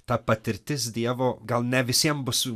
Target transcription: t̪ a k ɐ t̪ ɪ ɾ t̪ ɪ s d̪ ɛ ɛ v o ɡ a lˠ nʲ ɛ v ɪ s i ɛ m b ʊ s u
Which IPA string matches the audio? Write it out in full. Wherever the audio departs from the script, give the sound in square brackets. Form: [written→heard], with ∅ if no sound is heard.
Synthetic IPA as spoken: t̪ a [k→p] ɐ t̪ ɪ ɾ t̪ ɪ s d̪ [ɛ→i] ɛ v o ɡ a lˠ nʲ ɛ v ɪ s i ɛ m b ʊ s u